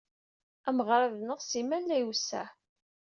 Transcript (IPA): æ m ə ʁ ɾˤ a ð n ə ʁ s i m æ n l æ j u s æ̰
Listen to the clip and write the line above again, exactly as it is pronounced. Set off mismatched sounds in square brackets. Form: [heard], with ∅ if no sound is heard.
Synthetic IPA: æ m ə ʁ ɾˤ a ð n ə ʁ s i m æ n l æ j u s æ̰